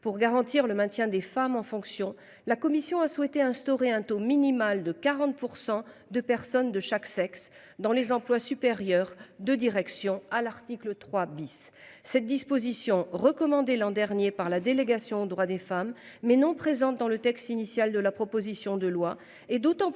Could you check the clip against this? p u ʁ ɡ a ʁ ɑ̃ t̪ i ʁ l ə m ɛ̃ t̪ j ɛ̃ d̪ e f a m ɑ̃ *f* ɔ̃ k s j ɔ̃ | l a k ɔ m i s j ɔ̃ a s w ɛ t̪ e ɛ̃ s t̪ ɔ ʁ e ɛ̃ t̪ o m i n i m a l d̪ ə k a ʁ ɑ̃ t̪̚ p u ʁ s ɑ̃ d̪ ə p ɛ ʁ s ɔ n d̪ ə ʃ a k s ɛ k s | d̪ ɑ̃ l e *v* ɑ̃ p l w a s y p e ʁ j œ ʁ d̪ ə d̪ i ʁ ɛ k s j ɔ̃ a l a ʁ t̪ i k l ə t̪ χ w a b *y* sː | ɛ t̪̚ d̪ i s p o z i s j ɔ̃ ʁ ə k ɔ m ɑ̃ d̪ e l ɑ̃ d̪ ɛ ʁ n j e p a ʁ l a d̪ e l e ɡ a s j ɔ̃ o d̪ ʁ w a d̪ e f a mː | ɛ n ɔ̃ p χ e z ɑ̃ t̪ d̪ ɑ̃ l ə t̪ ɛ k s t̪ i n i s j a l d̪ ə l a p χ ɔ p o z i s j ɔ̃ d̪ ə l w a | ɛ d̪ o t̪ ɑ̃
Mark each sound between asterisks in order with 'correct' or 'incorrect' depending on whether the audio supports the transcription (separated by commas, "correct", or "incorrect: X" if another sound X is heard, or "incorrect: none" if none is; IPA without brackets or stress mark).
correct, incorrect: z, incorrect: i